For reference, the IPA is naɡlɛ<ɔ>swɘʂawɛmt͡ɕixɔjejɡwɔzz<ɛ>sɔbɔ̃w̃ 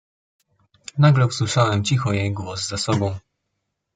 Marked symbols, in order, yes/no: no, no

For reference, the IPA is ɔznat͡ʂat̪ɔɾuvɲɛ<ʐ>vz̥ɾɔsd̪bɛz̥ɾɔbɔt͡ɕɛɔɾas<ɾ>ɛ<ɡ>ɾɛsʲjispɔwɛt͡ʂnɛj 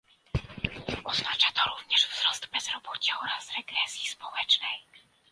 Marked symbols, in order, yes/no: yes, yes, yes

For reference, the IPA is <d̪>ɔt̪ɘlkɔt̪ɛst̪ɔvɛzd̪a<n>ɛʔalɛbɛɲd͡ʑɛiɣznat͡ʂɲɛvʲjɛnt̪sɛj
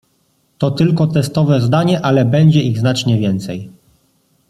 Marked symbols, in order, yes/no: no, no

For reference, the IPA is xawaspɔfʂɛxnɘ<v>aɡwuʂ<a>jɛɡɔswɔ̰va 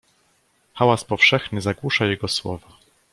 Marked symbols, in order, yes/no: no, yes

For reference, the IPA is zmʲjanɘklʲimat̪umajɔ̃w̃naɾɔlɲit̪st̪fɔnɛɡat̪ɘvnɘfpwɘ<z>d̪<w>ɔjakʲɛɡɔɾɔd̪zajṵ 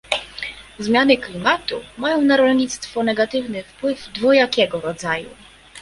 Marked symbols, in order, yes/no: no, no

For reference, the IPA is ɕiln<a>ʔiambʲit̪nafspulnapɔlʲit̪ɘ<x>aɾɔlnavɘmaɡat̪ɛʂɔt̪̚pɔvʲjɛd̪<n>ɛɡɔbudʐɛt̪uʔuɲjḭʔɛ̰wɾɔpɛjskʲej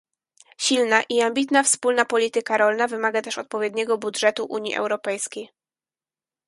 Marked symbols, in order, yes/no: yes, no, no

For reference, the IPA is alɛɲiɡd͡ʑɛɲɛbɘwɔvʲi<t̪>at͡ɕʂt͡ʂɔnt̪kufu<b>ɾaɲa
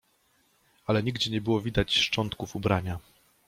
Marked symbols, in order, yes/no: no, yes

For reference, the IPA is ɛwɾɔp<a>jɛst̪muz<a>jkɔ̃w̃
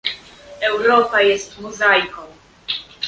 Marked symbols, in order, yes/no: yes, yes

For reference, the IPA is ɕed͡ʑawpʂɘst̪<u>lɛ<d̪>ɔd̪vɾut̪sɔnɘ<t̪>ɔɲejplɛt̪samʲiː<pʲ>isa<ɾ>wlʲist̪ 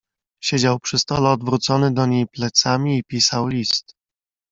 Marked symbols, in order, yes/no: no, no, no, yes, no

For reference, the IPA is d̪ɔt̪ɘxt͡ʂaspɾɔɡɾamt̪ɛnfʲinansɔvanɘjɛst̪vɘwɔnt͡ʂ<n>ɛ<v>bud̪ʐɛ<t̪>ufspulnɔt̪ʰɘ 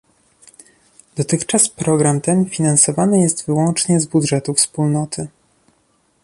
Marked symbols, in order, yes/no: no, no, yes

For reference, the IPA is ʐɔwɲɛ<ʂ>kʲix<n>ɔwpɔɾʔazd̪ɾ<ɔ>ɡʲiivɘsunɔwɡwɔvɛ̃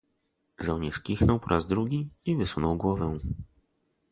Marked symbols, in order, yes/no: yes, yes, no

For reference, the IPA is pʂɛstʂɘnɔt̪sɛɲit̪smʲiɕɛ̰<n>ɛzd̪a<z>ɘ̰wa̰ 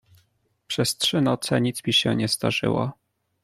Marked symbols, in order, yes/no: no, no

